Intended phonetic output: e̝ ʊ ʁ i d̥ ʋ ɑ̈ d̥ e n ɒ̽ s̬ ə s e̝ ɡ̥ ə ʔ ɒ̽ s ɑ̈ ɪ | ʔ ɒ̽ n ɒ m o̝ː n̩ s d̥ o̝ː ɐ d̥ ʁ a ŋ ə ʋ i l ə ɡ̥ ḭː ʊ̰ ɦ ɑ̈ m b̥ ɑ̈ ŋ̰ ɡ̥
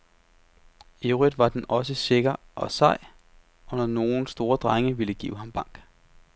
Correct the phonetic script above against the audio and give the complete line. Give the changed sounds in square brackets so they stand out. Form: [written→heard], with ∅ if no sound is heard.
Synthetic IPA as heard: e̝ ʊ ʁ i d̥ ʋ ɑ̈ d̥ e n ɒ̽ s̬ ə s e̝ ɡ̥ [ə→ɐ] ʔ ɒ̽ s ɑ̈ ɪ | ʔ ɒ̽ n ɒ [m→n] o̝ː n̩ s d̥ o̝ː ɐ d̥ ʁ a ŋ ə ʋ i l ə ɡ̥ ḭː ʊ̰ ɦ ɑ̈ m b̥ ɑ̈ ŋ̰ ɡ̥